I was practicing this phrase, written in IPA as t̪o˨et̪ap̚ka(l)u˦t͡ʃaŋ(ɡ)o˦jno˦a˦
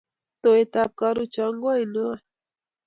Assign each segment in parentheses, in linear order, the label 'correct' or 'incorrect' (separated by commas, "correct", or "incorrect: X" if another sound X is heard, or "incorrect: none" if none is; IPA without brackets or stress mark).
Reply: incorrect: ɾ, correct